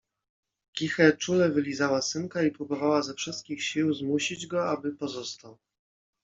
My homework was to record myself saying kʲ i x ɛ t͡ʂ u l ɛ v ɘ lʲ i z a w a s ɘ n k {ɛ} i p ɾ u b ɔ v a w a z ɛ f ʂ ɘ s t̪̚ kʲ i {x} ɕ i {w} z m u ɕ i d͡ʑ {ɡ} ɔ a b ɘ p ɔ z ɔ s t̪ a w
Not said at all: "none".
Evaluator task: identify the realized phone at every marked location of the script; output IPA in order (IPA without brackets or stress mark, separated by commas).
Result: a, x, w, ɡ